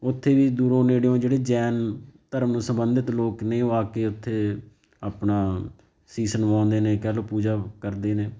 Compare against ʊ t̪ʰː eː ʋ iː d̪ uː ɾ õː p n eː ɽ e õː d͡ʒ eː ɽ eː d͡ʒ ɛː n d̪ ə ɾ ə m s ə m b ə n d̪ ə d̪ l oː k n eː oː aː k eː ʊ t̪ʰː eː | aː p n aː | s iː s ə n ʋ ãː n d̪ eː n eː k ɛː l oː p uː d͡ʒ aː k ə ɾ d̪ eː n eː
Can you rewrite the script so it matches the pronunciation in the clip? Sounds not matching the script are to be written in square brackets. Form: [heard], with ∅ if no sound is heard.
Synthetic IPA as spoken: ʊ t̪ʰː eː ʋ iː d̪ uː ɾ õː [∅] n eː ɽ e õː d͡ʒ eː ɽ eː d͡ʒ ɛː n [t̪] ə ɾ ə m s ə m b ə n d̪ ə [t̪] l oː k n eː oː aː k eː ʊ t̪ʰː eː | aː p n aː | s iː s ə n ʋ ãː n d̪ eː n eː k ɛː l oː p uː d͡ʒ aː k ə ɾ d̪ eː n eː